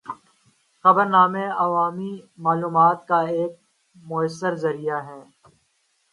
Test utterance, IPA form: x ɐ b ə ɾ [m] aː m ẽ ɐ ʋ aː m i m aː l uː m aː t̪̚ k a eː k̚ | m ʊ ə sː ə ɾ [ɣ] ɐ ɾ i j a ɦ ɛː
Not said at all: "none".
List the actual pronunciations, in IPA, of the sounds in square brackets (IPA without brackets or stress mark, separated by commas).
n, z